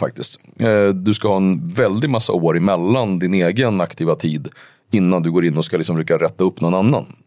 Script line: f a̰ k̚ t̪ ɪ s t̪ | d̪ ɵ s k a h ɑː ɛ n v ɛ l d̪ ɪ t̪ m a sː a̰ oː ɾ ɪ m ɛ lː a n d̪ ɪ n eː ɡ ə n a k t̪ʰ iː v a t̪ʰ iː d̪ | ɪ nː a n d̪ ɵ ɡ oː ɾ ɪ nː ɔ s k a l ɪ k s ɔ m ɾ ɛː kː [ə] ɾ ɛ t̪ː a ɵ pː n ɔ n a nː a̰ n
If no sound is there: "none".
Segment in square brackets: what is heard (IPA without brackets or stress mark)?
a